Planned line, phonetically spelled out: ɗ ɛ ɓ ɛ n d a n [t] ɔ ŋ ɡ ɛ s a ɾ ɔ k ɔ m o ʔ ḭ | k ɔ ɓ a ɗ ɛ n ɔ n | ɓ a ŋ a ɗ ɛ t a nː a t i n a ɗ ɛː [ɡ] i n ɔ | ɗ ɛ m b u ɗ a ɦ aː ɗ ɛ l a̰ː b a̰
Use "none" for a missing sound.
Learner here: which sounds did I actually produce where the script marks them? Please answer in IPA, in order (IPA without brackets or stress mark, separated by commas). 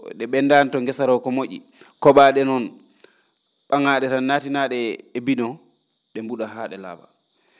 t, b